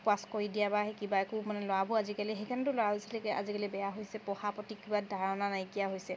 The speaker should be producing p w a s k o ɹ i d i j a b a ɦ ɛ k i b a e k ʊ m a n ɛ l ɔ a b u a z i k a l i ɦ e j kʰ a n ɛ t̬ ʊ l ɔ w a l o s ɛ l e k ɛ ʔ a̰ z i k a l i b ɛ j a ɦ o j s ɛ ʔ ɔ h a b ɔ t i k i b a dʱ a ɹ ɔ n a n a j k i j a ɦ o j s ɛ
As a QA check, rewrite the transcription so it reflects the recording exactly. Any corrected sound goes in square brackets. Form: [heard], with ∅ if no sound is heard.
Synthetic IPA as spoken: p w a s k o ɹ i d i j a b a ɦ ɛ k i b a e k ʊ m a n ɛ l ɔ a b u a z i k a l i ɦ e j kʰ a n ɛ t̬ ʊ l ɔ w a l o s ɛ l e k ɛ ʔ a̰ z i k a l i b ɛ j a ɦ o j s ɛ [p] ɔ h a [p] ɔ t i k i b a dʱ a ɹ ɔ n a n a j k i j a ɦ o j s ɛ